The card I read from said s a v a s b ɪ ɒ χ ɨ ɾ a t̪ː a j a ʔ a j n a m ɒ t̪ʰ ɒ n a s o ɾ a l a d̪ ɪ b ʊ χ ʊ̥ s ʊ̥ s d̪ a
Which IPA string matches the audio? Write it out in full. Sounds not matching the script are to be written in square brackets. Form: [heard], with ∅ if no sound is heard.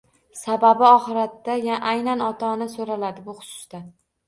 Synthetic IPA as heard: s a [b] a [∅] b ɪ ɒ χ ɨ ɾ a t̪ː a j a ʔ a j n a [n] ɒ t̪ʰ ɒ n a s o ɾ a l a d̪ ɪ b ʊ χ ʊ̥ s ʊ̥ s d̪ a